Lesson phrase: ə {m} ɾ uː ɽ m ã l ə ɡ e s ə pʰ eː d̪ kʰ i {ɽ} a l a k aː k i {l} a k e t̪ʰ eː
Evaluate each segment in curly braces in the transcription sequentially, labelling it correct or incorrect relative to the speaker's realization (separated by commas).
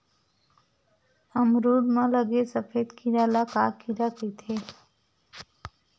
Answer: correct, incorrect, incorrect